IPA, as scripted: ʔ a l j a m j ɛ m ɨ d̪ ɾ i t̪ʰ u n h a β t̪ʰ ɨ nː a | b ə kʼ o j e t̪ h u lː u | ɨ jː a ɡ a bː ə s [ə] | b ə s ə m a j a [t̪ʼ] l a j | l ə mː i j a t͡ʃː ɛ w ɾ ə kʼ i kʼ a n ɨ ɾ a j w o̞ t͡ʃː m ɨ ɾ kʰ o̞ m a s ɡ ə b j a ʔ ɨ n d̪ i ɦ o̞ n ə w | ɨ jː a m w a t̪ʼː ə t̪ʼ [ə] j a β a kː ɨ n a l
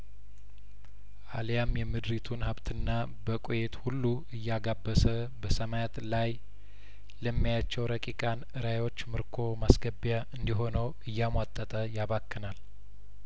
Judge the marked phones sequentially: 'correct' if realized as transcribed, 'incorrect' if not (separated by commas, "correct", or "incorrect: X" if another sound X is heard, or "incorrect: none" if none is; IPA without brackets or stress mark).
correct, incorrect: t̪, correct